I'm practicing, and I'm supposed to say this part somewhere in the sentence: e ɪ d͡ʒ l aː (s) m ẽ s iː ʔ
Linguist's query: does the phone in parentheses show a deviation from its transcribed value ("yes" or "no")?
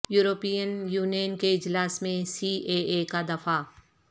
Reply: no